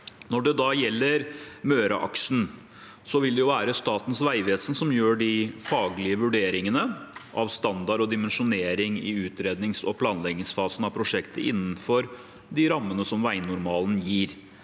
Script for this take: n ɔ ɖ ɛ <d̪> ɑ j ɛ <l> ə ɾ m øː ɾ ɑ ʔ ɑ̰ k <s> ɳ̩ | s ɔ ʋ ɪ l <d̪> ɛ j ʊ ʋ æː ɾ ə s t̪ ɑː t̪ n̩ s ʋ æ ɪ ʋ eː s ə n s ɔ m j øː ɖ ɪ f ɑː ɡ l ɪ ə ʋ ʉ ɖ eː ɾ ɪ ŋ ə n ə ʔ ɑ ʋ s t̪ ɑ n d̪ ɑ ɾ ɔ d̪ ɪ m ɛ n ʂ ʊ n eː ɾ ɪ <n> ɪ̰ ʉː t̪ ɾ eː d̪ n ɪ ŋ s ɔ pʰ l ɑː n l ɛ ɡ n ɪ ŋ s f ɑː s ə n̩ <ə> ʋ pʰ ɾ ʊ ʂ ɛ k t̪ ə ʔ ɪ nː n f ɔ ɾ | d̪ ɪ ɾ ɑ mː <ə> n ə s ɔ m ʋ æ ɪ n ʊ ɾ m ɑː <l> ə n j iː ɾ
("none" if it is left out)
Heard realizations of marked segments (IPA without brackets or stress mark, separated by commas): d̪, lː, ʂ, d̪, ŋ, ɑ, ə, l